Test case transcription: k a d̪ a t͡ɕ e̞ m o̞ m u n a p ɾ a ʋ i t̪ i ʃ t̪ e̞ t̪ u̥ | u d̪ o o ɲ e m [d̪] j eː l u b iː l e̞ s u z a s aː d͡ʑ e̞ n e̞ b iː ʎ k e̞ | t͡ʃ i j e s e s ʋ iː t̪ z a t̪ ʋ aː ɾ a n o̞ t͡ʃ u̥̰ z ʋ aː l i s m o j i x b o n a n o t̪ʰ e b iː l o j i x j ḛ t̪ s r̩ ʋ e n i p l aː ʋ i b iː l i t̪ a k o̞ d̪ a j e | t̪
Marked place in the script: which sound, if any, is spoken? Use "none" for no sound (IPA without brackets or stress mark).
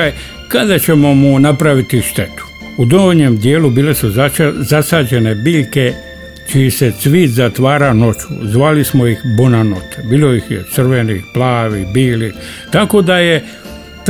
d̪